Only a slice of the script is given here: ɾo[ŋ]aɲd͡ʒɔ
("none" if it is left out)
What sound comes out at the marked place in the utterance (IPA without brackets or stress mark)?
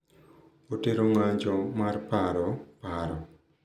ŋ